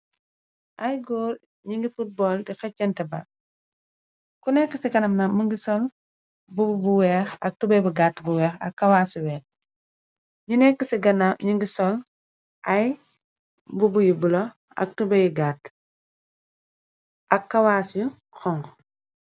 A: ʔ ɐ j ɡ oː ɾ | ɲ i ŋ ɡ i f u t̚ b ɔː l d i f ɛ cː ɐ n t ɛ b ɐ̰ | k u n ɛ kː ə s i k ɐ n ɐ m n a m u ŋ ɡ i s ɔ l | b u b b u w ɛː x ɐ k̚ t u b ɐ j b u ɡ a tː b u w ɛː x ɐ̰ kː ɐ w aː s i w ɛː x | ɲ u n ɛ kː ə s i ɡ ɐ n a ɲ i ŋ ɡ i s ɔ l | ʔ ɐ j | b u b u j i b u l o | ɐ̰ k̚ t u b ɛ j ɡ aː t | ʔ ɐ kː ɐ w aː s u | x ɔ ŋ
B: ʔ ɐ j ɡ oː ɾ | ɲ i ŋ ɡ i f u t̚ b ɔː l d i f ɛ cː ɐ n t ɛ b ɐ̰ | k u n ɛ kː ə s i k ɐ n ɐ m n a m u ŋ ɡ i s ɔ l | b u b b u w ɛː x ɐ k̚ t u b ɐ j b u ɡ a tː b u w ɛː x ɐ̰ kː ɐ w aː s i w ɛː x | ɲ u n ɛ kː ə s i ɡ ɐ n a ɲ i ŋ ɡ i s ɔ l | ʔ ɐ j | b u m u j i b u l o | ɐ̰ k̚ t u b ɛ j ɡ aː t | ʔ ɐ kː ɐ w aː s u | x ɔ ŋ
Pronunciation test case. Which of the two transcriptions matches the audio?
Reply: A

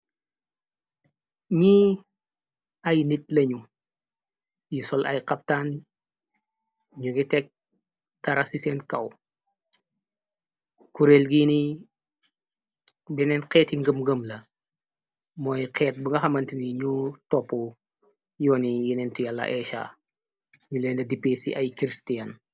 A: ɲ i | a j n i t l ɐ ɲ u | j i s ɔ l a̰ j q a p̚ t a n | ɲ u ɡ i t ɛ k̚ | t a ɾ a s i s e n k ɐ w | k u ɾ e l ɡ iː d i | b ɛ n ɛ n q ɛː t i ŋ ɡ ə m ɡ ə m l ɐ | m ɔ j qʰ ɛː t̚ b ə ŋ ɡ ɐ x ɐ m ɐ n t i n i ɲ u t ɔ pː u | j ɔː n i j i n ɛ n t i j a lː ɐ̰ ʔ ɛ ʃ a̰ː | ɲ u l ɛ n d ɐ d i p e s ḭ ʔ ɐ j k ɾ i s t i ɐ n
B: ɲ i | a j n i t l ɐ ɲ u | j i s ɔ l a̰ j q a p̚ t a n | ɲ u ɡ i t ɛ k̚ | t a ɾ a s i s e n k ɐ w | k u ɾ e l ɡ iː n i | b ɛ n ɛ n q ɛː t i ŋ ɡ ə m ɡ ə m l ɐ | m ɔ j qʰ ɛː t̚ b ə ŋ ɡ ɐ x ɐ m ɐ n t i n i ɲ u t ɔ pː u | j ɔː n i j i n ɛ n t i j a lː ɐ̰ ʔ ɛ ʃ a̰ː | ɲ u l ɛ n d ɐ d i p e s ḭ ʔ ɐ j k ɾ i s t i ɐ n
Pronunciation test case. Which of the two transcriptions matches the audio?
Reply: B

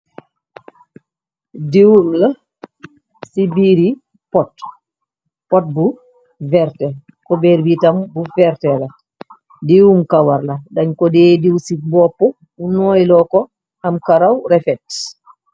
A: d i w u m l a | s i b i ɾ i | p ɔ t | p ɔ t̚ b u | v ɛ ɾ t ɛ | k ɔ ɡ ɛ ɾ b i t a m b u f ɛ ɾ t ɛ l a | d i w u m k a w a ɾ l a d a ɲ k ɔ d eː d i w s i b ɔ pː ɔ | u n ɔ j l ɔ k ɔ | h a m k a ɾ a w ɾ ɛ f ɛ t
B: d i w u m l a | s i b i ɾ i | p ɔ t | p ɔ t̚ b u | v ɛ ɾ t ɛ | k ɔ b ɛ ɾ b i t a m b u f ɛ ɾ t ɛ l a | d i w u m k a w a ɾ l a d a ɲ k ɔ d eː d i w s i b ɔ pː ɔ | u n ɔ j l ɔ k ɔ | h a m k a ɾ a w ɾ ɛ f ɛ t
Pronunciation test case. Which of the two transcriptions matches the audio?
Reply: B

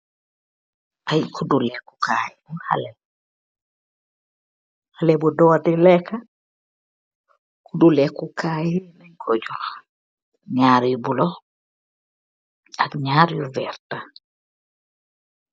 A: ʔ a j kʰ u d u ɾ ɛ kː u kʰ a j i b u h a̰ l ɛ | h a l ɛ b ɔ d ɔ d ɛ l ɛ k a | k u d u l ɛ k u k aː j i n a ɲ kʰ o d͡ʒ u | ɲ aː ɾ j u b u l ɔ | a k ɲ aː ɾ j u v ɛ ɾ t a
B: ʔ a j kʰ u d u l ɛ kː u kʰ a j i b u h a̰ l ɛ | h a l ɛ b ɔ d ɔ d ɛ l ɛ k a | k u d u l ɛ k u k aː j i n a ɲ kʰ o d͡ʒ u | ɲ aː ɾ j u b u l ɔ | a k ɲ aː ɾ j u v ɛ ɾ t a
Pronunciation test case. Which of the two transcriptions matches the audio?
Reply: B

